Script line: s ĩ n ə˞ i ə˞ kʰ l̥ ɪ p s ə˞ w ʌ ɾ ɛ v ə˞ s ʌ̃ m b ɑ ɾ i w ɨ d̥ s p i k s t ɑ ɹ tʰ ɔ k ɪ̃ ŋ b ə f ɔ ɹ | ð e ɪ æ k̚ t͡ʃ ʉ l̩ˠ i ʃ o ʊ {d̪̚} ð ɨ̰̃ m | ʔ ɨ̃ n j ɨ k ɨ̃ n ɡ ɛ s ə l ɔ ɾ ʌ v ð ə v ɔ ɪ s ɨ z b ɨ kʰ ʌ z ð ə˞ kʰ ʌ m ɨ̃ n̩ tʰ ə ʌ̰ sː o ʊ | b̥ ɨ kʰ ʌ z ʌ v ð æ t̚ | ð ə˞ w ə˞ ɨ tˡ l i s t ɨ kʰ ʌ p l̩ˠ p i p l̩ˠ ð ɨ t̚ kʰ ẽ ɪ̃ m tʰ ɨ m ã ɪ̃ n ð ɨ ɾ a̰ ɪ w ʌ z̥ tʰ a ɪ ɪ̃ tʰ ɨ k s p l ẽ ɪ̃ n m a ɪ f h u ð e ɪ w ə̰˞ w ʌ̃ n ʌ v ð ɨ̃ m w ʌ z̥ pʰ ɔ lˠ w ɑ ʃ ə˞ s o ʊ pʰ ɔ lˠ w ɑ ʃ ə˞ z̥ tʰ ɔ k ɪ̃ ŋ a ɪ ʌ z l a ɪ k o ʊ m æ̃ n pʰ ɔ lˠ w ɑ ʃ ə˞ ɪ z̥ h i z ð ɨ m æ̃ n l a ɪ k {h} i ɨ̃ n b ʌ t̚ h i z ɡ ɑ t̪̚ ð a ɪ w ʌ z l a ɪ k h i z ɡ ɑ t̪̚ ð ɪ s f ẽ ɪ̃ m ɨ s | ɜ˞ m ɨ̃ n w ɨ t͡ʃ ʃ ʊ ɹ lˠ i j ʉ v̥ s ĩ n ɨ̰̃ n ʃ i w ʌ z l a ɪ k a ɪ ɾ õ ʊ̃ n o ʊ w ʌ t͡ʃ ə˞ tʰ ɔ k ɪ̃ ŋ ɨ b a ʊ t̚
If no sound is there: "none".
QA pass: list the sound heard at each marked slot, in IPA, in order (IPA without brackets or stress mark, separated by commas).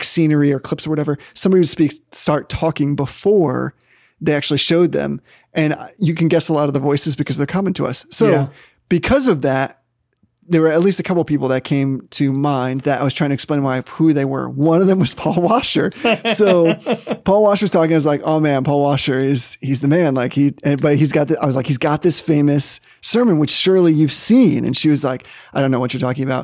d̪̚, h